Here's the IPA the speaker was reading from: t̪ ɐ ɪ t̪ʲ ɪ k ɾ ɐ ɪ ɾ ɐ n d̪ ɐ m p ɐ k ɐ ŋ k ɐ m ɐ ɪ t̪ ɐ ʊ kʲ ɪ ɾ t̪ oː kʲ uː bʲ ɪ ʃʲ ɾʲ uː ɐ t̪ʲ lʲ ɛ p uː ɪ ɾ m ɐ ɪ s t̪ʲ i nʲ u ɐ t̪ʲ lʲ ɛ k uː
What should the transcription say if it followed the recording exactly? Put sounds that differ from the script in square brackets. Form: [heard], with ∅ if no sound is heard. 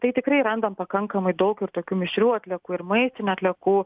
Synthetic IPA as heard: t̪ ɐ ɪ t̪ʲ ɪ k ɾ ɐ ɪ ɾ ɐ n d̪ ɐ m p ɐ k ɐ ŋ k ɐ m ɐ ɪ [d̪] ɐ ʊ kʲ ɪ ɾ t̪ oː kʲ uː [mʲ] ɪ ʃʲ ɾʲ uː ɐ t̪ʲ lʲ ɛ [k] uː ɪ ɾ m ɐ ɪ s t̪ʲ [ɪ] nʲ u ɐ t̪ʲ lʲ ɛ k uː

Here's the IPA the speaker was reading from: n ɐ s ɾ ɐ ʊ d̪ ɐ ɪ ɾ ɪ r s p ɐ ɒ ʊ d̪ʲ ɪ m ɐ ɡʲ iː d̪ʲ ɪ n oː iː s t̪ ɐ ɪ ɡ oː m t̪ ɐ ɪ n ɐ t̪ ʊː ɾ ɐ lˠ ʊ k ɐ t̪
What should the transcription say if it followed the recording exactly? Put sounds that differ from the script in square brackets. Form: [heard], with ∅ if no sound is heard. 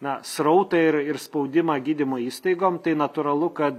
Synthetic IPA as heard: n ɐ s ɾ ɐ ʊ [t̪] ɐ ɪ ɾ ɪ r s p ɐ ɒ ʊ d̪ʲ ɪ m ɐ ɡʲ iː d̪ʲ ɪ [m] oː iː s t̪ ɐ ɪ ɡ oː m t̪ ɐ ɪ n ɐ t̪ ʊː ɾ ɐ lˠ ʊ k ɐ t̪

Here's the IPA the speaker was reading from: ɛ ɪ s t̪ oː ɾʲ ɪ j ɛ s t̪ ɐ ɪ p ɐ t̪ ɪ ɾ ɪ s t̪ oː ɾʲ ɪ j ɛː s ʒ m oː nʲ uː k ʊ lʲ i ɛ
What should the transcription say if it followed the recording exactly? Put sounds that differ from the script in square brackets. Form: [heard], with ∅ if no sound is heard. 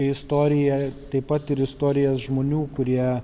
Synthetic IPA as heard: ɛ ɪ s t̪ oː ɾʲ ɪ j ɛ [∅] t̪ ɐ ɪ p ɐ t̪ ɪ ɾ ɪ s t̪ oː ɾʲ ɪ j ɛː s ʒ m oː nʲ uː k ʊ [ɾʲ] i ɛ

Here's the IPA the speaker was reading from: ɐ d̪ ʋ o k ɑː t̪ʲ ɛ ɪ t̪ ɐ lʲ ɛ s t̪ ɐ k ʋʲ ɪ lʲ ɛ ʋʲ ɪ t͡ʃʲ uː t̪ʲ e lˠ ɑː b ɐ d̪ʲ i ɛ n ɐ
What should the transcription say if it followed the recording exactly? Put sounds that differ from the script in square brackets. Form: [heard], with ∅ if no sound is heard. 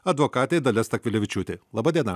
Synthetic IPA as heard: ɐ d̪ ʋ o k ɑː t̪ʲ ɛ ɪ [d̪] ɐ lʲ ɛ s t̪ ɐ k ʋʲ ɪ lʲ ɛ ʋʲ ɪ t͡ʃʲ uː t̪ʲ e lˠ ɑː b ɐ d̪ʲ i ɛ n ɐ

